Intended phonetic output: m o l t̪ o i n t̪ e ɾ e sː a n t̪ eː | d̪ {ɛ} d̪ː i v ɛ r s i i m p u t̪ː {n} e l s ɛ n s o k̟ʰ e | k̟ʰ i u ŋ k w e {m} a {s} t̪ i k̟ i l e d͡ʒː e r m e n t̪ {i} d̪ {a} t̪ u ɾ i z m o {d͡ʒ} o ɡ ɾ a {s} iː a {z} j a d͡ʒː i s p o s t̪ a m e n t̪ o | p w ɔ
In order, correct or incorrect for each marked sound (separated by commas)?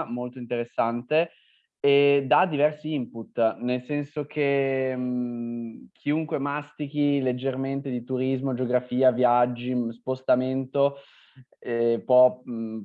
incorrect, correct, correct, correct, incorrect, incorrect, correct, incorrect, incorrect